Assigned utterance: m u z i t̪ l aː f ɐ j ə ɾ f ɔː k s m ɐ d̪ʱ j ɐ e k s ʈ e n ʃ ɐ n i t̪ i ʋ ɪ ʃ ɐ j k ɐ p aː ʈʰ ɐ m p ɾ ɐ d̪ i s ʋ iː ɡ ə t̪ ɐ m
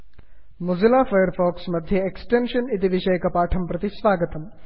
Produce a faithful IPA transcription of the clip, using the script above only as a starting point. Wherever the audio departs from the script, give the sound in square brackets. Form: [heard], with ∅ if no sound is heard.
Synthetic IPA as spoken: m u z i [∅] l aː f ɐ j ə ɾ f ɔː k s m ɐ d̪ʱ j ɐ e k s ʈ e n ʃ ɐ n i t̪ i ʋ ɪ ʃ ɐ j k ɐ p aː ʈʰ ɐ m p ɾ ɐ [t̪] i s ʋ [aː] ɡ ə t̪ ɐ m